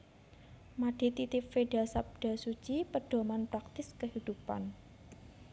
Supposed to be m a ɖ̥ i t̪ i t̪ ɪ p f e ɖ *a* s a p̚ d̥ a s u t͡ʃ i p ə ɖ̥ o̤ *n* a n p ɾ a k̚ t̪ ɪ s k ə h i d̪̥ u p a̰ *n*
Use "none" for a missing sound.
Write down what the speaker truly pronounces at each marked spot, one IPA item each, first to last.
a, m, n

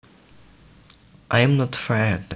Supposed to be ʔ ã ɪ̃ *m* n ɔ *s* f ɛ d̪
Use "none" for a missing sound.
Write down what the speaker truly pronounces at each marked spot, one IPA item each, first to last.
m, t

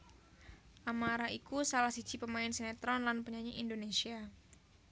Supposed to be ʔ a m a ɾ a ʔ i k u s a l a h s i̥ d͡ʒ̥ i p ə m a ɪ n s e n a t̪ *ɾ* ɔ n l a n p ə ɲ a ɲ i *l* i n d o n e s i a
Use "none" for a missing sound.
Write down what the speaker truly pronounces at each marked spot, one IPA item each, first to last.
ɾ, none

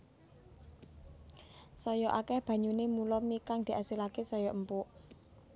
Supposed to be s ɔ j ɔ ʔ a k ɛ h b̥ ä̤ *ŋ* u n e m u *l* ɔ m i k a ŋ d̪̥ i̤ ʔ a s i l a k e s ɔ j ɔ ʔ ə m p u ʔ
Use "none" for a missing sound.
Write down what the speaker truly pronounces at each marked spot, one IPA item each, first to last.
ɲ, l

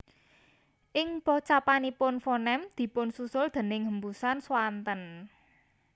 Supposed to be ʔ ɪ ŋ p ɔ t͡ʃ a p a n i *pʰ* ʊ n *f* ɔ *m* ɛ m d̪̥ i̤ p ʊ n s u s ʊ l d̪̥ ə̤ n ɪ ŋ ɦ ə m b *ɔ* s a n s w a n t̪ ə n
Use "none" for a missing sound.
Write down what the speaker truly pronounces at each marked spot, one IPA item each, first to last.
p, f, n, u

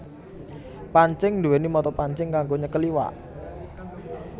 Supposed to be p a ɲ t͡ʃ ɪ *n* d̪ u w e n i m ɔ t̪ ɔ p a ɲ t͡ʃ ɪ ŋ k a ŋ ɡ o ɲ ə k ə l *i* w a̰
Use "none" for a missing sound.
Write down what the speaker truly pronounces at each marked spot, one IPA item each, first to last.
ŋ, i

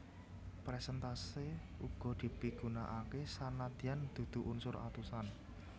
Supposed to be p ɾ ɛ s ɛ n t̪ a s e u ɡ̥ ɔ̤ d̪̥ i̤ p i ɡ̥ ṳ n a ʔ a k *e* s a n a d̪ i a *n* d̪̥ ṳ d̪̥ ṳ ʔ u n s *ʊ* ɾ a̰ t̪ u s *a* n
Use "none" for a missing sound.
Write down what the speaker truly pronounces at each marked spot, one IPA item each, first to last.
e, n, ʊ, a

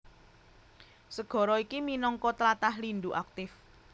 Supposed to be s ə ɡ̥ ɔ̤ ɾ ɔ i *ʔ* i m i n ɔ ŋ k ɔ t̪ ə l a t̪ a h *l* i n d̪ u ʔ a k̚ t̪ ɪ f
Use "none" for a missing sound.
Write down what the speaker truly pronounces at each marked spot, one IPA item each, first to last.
k, l

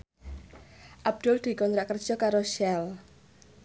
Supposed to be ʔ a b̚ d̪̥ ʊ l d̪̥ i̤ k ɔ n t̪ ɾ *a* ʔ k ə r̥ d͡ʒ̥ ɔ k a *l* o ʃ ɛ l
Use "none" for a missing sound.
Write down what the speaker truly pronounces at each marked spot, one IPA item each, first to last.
a, ɾ

